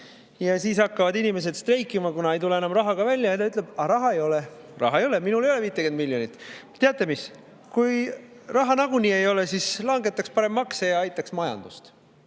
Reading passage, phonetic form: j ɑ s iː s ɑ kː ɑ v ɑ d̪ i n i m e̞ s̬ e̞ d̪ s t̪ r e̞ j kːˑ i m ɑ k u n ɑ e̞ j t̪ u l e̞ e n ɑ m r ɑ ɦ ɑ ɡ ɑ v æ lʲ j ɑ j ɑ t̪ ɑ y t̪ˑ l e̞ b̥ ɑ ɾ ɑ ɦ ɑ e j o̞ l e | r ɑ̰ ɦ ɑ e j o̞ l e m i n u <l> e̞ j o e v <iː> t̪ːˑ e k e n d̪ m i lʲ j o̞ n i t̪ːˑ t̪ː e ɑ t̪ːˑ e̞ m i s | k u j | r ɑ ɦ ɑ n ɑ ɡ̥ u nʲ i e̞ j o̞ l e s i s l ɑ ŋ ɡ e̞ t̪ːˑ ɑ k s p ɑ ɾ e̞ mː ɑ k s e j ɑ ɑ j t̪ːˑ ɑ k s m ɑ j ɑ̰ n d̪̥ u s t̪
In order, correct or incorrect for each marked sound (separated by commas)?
correct, correct